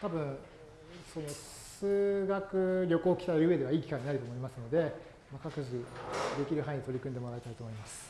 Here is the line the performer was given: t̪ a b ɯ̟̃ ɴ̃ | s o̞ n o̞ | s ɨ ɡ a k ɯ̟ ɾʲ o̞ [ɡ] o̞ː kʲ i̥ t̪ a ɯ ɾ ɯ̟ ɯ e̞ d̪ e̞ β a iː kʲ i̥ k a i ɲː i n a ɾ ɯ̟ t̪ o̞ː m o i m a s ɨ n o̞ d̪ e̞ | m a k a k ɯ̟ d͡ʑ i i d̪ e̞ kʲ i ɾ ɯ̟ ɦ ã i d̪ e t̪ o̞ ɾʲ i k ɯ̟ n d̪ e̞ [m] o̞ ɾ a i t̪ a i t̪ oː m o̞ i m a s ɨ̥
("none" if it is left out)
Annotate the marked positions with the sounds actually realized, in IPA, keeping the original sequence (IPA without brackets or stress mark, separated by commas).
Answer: k, m